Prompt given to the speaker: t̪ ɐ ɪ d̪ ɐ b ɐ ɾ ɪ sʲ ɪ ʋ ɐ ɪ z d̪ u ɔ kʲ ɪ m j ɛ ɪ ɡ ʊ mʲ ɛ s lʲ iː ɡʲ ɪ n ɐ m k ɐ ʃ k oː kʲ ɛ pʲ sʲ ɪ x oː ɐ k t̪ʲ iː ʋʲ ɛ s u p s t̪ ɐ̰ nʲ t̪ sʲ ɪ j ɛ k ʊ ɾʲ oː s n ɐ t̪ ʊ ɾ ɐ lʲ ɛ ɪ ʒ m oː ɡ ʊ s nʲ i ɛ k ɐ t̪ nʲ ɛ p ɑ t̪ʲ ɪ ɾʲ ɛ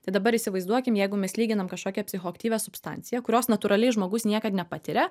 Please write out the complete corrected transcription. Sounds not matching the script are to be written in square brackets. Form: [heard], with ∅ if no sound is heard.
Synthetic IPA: t̪ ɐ ɪ d̪ ɐ b ɐ ɾ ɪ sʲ ɪ ʋ ɐ ɪ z d̪ u ɔ kʲ ɪ m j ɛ ɪ ɡ ʊ mʲ ɛ s lʲ iː ɡʲ ɪ n ɐ m k ɐ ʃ k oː kʲ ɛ pʲ sʲ ɪ x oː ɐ k t̪ʲ iː ʋʲ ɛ s [ʊ] p s t̪ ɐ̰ nʲ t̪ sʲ ɪ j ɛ k ʊ ɾʲ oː s n ɐ t̪ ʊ ɾ ɐ lʲ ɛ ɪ ʒ m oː ɡ ʊ s nʲ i ɛ k ɐ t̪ nʲ ɛ p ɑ t̪ʲ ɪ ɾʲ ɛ